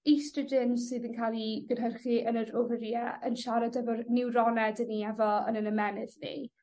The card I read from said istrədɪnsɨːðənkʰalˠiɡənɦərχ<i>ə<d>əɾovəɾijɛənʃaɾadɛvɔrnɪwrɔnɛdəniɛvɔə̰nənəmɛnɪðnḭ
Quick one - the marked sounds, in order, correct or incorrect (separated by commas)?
correct, incorrect